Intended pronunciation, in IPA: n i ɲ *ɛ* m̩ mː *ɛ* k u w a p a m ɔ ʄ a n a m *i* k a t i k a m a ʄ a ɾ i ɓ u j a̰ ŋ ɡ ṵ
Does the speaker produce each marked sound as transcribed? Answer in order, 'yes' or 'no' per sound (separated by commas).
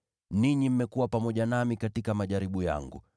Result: no, yes, yes